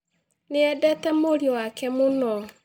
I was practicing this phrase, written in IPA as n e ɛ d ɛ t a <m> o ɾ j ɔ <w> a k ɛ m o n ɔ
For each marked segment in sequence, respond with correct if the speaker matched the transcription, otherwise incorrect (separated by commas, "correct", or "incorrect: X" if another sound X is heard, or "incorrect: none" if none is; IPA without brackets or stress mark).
correct, correct